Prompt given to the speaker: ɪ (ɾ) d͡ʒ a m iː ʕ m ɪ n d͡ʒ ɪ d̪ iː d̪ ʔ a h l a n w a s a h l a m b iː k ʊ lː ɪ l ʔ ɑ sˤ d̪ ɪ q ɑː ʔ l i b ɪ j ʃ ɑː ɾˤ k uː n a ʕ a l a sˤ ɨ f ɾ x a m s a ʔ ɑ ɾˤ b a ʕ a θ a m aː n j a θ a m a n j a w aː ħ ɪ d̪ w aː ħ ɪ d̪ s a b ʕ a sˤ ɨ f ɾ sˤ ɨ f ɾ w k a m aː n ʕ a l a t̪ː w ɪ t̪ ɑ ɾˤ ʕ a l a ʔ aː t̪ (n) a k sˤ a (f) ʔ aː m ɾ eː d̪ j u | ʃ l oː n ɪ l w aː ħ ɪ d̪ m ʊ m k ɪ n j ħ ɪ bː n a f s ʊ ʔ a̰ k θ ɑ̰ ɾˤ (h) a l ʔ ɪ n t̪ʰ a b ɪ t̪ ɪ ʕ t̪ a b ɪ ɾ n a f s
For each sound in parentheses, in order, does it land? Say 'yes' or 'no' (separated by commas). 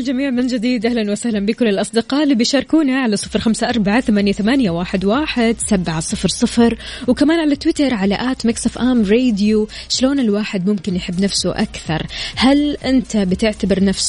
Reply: no, no, yes, yes